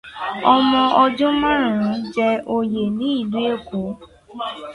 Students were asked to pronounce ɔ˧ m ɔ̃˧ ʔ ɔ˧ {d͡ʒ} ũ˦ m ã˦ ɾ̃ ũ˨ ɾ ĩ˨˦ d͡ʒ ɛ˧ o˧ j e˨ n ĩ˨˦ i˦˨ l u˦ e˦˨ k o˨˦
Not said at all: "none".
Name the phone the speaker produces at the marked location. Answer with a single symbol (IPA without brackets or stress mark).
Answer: d͡ʒ